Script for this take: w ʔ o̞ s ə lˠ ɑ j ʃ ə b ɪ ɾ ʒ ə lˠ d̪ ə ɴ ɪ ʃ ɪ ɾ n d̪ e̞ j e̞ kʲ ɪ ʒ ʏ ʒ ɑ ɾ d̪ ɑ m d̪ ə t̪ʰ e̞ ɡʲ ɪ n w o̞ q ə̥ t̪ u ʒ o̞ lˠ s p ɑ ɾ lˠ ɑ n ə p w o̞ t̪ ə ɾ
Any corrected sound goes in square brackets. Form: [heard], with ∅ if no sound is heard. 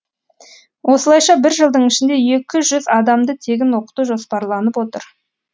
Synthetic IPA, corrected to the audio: w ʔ o̞ s ə lˠ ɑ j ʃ [ɑ] b ɪ ɾ ʒ ə lˠ d̪ ə ɴ ɪ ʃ ɪ [∅] n d̪ e̞ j e̞ kʲ ɪ ʒ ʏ [z] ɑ [∅] d̪ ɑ m d̪ ə t̪ʰ e̞ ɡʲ ɪ n w o̞ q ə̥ t̪ u ʒ o̞ [∅] s p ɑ ɾ lˠ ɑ n ə p w o̞ t̪ ə ɾ